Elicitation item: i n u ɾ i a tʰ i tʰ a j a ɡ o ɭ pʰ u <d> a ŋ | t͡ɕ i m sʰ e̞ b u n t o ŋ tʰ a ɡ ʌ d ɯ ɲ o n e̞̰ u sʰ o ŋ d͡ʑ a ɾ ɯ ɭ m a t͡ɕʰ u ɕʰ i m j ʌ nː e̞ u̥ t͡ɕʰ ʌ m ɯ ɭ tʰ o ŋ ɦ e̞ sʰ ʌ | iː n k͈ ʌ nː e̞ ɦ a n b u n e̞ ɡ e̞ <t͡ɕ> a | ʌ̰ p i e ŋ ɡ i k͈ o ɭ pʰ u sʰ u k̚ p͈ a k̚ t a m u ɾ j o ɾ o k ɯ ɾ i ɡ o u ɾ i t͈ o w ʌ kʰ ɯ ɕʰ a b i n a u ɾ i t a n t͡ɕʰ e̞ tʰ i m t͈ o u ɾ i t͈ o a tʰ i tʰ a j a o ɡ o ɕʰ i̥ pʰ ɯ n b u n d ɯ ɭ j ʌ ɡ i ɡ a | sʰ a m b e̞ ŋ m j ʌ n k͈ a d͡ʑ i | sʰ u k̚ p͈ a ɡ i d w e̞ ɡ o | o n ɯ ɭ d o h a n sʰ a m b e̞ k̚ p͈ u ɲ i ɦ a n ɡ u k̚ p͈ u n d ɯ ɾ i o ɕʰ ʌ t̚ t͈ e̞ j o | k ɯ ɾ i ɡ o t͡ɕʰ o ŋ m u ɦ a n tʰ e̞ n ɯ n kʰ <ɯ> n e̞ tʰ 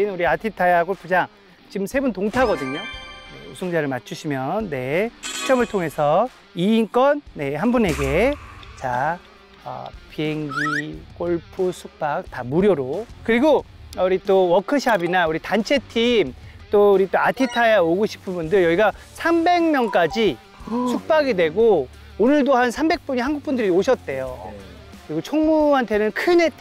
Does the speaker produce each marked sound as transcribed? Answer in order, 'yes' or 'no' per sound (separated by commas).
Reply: no, yes, yes